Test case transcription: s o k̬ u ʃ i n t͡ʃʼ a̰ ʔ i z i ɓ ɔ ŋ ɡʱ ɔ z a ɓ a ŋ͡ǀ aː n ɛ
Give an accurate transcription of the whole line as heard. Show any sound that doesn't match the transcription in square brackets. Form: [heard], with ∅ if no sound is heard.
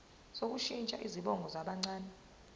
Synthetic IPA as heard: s o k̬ u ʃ i n t͡ʃʼ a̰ ʔ i z i ɓ ɔ ŋ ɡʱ ɔ z a ɓ a ŋ͡ǀ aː n ɛ

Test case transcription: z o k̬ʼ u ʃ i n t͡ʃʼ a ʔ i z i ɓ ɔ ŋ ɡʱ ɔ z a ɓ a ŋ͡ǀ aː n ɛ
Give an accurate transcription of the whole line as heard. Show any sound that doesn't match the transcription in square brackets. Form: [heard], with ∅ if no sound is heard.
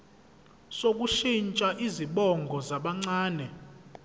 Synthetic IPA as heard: [s] o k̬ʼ u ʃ i n t͡ʃʼ a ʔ i z i ɓ ɔ ŋ ɡʱ ɔ z a ɓ a ŋ͡ǀ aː n ɛ

